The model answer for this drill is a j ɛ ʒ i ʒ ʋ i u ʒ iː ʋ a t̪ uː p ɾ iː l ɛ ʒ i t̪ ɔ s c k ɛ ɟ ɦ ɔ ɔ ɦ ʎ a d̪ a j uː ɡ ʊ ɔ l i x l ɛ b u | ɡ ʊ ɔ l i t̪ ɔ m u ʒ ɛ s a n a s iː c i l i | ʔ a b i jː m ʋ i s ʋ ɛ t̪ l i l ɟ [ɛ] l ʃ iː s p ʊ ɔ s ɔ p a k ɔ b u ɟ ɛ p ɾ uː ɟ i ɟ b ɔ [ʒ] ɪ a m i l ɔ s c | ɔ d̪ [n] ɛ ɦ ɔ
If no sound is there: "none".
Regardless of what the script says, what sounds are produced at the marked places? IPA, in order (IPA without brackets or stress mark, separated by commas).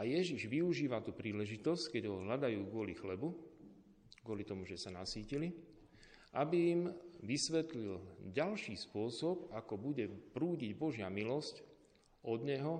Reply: a, ʒ, ɲ